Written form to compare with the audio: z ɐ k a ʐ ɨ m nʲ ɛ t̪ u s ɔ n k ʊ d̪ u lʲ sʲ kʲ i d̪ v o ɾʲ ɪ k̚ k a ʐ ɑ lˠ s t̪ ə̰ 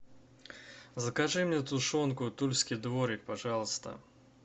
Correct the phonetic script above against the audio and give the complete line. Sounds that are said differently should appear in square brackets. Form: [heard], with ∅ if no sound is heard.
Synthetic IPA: z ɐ k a ʐ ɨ m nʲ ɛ t̪ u [ʂ] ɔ n k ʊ [t̪] u lʲ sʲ kʲ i d̪ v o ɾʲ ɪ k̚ [p] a ʐ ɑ lˠ s t̪ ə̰

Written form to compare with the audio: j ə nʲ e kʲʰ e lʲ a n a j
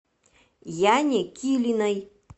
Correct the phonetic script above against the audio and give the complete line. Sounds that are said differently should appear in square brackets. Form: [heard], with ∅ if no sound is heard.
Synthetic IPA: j [a] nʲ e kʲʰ [i] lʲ [i] n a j

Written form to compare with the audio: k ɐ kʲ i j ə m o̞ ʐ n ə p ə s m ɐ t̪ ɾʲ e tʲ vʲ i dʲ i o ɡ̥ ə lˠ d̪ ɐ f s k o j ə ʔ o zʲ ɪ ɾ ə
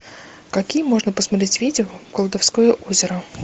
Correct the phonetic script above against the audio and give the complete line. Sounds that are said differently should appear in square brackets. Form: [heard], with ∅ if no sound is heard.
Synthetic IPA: k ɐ kʲ i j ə m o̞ ʐ n ə p ə s m ɐ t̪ ɾʲ e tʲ vʲ i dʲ [ɪ] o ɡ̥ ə lˠ d̪ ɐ f s k o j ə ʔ o zʲ ɪ ɾ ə

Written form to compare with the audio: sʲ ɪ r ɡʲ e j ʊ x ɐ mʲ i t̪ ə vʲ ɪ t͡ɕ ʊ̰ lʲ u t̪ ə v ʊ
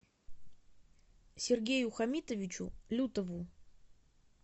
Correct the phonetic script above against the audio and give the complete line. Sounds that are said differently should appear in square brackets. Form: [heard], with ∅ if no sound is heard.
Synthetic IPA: sʲ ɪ r ɡʲ e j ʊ x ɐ mʲ i t̪ ə vʲ ɪ t͡ɕ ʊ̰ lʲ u t̪ ə v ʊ

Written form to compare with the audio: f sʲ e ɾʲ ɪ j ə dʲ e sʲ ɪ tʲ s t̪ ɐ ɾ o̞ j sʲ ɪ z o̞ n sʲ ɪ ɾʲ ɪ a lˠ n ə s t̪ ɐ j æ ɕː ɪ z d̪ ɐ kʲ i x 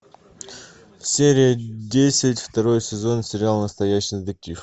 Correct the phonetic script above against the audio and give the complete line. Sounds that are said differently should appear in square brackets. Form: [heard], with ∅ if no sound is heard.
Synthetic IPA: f sʲ e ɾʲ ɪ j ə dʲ e sʲ ɪ tʲ [f] t̪ ɐ ɾ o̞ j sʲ ɪ z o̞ n sʲ ɪ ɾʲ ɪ a lˠ n ə s t̪ ɐ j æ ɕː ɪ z d̪ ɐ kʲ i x

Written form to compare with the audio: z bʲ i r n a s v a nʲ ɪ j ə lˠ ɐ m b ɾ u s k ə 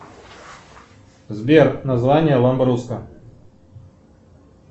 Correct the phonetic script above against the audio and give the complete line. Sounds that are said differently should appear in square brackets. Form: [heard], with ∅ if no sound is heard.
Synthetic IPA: z bʲ [e] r n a [z] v a nʲ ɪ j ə lˠ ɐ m b ɾ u s k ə

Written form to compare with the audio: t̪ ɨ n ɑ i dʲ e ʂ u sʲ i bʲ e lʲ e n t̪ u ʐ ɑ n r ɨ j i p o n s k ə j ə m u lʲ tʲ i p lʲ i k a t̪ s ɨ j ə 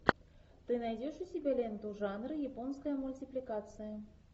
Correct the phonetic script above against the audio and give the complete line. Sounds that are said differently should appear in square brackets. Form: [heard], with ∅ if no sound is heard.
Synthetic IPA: t̪ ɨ n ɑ [j] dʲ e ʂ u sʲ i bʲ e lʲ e n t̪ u ʐ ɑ n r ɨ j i p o n s k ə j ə m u lʲ tʲ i p lʲ i k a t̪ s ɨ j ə

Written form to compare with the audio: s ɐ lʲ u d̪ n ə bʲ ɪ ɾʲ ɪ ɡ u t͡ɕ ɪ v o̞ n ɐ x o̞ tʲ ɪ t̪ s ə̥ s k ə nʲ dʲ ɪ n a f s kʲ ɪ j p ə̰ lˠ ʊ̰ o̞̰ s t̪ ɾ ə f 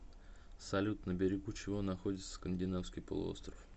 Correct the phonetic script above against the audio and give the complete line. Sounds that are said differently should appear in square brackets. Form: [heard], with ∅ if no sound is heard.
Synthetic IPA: s ɐ lʲ u [t̪] n ə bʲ ɪ ɾʲ ɪ ɡ u t͡ɕ ɪ v o̞ n ɐ x o̞ [dʲ] ɪ t̪ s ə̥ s k ə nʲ dʲ ɪ n a f s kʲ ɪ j p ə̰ lˠ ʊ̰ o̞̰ s t̪ ɾ ə f

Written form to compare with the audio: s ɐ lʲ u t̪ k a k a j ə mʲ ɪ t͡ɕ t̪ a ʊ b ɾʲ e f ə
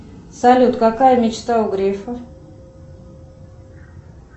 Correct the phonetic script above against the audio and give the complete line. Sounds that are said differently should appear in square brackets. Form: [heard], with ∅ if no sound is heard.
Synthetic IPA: s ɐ lʲ u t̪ k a k a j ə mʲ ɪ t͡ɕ t̪ a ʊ [ɡ] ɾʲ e f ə

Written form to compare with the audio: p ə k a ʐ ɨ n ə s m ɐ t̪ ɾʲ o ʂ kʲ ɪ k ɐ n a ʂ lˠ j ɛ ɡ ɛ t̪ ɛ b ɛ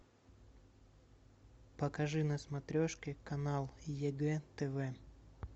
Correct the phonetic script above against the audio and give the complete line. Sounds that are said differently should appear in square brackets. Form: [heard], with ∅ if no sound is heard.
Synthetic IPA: p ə k [ɐ] ʐ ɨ n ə s m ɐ t̪ ɾʲ o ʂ kʲ ɪ k ɐ n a [∅] lˠ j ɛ ɡ ɛ t̪ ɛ [v] ɛ

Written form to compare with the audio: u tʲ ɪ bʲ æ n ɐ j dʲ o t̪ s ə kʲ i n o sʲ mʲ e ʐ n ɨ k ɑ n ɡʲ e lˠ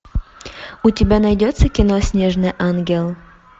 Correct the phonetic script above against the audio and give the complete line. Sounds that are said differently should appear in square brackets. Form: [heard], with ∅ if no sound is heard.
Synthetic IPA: u tʲ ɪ bʲ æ n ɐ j dʲ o t̪ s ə kʲ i n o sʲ [nʲ] e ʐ n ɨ [ʔ] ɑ n ɡʲ e lˠ

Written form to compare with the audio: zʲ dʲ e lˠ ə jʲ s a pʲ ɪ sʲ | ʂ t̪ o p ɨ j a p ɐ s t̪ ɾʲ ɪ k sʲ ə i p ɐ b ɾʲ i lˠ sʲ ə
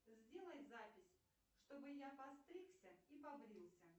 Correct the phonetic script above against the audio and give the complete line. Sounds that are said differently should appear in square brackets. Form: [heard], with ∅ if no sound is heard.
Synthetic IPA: zʲ dʲ e lˠ ə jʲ [z] a pʲ ɪ sʲ | ʂ t̪ o [b] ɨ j a p ɐ s t̪ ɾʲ [i] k sʲ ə i p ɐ b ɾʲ i lˠ sʲ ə

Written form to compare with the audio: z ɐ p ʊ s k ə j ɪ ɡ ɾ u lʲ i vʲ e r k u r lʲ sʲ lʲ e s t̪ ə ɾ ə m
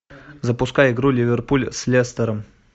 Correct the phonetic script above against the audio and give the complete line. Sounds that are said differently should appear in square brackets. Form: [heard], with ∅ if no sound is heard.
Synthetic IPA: z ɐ p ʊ s k [a] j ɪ ɡ ɾ u lʲ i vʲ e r [p] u [∅] lʲ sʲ lʲ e s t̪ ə ɾ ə m

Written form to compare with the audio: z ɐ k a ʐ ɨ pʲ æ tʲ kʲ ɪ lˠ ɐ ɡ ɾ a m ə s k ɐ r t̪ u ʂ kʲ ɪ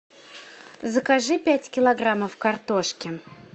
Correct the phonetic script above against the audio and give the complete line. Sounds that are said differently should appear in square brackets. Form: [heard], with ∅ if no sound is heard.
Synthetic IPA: z [ə] k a ʐ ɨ pʲ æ tʲ kʲ ɪ lˠ ɐ ɡ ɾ a m ə [f] k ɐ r t̪ [o] ʂ kʲ ɪ

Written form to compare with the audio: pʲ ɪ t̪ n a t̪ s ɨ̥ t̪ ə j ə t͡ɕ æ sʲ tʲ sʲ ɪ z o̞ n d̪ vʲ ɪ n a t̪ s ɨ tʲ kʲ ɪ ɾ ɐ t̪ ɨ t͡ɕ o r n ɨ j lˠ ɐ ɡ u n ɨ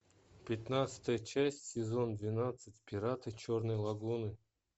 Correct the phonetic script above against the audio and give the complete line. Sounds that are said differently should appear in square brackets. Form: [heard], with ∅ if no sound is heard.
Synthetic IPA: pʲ ɪ t̪ n a t̪ s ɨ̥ t̪ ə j ə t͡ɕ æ sʲ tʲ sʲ ɪ z o̞ n d̪ vʲ ɪ n a t̪ s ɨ tʲ [pʲ] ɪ ɾ [a] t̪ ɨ t͡ɕ o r n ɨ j lˠ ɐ ɡ u n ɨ

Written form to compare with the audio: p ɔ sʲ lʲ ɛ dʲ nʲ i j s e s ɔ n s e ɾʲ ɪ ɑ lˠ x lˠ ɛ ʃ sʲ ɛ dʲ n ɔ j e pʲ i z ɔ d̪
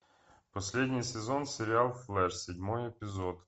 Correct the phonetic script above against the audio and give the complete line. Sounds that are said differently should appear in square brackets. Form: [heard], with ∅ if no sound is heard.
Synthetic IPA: p ɔ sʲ lʲ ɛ dʲ nʲ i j s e [z] ɔ n s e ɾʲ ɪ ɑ lˠ [f] lˠ ɛ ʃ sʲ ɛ dʲ [m] ɔ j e pʲ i z ɔ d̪

